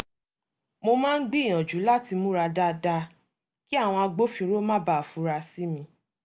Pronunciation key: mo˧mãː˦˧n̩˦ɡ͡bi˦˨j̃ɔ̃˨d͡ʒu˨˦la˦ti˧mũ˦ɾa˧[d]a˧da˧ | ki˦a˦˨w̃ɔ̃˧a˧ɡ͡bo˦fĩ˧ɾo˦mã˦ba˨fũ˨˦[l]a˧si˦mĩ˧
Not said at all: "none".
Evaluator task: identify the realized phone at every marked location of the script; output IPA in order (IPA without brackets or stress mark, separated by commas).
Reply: d, ɾ